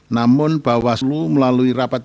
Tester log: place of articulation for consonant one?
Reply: alveolar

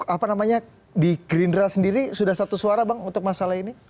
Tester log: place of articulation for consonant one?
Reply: labial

